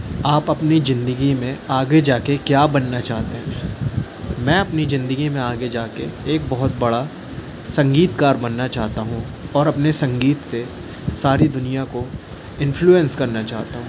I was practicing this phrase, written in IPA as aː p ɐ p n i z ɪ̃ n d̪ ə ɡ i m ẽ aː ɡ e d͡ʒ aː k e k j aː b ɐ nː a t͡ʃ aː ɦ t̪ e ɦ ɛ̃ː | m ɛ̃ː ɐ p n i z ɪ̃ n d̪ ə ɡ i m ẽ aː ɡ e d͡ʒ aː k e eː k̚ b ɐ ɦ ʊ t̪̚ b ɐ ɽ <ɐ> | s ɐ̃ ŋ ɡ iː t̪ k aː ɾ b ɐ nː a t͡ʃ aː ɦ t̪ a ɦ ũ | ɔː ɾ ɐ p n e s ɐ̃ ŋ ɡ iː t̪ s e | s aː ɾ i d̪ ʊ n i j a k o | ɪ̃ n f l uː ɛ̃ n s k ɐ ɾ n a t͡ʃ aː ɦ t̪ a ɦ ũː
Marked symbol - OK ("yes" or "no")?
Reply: no